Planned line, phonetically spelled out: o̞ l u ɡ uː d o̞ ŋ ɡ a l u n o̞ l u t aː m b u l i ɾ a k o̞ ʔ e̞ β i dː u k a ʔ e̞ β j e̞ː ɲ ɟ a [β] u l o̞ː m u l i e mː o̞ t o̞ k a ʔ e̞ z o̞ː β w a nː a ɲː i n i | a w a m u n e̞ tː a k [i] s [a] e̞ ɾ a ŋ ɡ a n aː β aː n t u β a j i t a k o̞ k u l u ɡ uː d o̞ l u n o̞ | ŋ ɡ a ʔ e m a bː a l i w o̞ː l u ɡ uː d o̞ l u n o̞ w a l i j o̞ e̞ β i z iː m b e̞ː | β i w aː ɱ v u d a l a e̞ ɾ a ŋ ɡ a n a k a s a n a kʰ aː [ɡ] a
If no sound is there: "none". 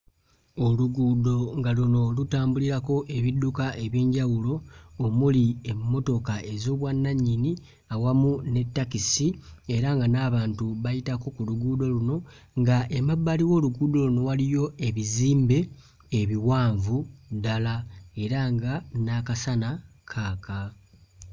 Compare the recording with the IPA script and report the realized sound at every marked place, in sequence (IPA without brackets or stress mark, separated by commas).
w, i, i, k